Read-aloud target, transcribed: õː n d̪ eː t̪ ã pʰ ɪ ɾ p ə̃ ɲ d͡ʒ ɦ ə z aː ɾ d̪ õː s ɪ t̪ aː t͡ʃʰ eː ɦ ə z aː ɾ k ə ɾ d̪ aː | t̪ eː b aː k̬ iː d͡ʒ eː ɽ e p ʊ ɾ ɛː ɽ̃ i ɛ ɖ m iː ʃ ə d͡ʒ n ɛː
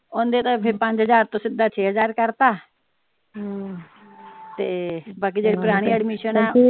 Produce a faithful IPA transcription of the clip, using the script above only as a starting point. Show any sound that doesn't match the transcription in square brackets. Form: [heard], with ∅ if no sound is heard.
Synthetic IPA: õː n d̪ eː t̪ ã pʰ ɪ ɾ p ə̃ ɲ d͡ʒ ɦ ə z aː ɾ [t̪] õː s ɪ [d̪] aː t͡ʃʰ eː ɦ ə z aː ɾ k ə ɾ [t̪] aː | t̪ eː b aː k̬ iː d͡ʒ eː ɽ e p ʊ ɾ [aː] ɽ̃ i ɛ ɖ m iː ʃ ə [∅] n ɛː